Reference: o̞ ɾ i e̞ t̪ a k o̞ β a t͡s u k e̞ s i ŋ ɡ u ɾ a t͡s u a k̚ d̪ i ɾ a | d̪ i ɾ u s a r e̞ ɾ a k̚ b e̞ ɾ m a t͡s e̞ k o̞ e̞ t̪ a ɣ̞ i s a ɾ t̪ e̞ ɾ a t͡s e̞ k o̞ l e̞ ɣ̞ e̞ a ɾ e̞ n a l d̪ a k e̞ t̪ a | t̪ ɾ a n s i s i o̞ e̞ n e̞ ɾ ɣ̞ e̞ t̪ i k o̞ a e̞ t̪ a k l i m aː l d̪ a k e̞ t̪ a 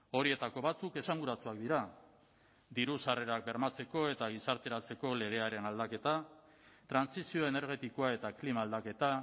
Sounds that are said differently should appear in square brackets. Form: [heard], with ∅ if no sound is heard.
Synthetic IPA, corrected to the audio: o̞ ɾ i e̞ t̪ a k o̞ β a t͡s u k e̞ s [a] ŋ ɡ u ɾ a t͡s u a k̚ d̪ i ɾ a | d̪ i ɾ u s a r e̞ ɾ a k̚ b e̞ ɾ m a t͡s e̞ k o̞ e̞ t̪ a ɣ̞ i s a ɾ t̪ e̞ ɾ a t͡s e̞ k o̞ l e̞ ɣ̞ e̞ a ɾ e̞ n a l d̪ a k e̞ t̪ a | t̪ ɾ a n s i s i o̞ e̞ n e̞ ɾ ɣ̞ e̞ t̪ i k o̞ a e̞ t̪ a k l i m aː l d̪ a k e̞ t̪ a